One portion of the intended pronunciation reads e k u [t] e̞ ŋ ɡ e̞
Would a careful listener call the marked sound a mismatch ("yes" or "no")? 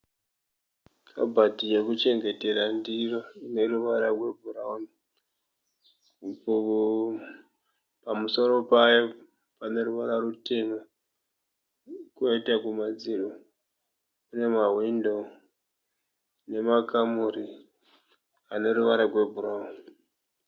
yes